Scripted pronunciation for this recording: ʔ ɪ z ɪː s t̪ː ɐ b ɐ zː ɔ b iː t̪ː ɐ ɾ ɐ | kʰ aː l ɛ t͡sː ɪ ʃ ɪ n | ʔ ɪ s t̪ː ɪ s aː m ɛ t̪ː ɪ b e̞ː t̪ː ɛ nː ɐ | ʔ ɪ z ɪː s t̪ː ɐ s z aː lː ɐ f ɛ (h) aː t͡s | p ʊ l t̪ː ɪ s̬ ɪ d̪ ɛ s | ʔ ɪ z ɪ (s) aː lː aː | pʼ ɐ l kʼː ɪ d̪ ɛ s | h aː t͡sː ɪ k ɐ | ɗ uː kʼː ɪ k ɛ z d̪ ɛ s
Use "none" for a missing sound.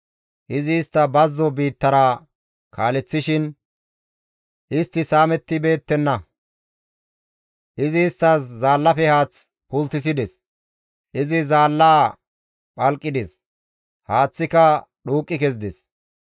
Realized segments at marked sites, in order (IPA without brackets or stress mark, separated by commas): h, z